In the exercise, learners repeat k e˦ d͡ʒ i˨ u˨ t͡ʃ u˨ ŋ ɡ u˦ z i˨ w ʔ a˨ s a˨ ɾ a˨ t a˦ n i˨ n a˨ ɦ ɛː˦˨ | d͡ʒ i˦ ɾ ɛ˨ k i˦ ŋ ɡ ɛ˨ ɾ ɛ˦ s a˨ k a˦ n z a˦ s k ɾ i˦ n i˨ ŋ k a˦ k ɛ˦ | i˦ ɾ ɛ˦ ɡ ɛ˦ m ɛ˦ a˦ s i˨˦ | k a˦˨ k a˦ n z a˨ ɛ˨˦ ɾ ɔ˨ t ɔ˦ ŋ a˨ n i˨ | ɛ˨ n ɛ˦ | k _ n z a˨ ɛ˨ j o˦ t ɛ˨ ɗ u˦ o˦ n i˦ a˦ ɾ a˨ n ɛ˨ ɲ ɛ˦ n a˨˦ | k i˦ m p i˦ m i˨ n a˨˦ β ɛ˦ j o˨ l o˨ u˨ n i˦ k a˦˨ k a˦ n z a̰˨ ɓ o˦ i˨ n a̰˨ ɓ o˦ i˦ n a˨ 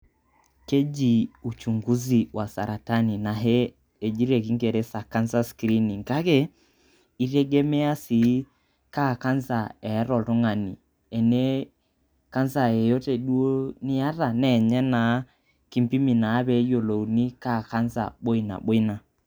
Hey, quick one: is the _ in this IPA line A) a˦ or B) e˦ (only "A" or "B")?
A